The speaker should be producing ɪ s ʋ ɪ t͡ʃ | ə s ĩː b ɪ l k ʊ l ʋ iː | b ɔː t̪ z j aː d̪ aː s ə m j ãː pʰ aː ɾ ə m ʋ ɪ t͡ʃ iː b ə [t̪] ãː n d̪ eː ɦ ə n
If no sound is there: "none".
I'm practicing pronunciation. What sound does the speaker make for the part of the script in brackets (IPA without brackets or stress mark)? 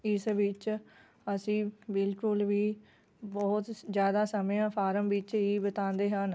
t̪